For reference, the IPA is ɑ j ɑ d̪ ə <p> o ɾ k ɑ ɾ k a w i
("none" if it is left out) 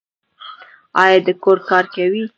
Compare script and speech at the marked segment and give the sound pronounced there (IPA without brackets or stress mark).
k